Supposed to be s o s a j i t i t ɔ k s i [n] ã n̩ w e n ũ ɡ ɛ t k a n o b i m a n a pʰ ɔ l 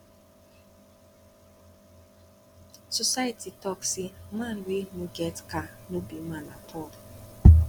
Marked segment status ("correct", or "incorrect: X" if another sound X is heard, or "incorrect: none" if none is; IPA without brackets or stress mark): incorrect: m